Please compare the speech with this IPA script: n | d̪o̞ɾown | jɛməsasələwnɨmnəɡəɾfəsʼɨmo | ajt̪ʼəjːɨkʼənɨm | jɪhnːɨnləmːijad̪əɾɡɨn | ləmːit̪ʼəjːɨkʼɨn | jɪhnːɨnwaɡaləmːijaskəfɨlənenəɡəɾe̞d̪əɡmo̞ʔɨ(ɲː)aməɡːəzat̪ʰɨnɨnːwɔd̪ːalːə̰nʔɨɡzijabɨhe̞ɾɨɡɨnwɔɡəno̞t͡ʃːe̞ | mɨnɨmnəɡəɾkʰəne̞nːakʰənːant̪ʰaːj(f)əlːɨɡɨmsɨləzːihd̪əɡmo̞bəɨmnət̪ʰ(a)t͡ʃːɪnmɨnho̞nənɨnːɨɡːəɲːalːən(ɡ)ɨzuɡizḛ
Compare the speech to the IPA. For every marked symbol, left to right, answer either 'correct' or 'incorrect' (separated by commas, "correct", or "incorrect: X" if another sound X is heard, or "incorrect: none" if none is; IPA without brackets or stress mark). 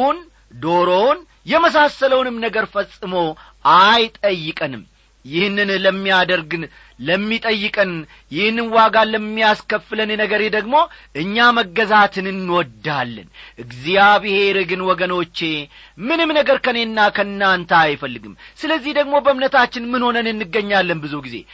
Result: correct, correct, correct, incorrect: b